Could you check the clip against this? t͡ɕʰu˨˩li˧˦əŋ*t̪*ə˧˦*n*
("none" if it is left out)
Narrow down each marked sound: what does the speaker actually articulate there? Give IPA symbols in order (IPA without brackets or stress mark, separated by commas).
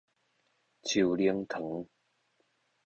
t̪ʰ, ŋ